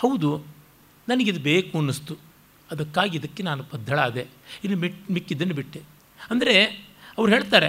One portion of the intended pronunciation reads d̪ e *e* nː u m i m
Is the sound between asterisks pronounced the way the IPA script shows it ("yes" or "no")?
no